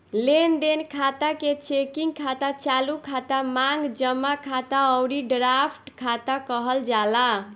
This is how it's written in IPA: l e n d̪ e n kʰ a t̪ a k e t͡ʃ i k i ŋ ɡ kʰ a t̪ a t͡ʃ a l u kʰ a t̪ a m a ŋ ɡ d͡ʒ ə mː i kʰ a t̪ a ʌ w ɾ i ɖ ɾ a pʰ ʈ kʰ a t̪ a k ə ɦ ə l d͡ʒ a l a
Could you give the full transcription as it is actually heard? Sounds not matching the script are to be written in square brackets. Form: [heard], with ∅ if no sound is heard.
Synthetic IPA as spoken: l e n d̪ e n kʰ a t̪ a k e t͡ʃ [e] k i ŋ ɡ kʰ a t̪ a t͡ʃ a l u kʰ a t̪ a m a ŋ ɡ d͡ʒ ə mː [a] kʰ a t̪ a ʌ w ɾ i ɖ ɾ a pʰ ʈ kʰ a t̪ a k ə ɦ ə l d͡ʒ a l a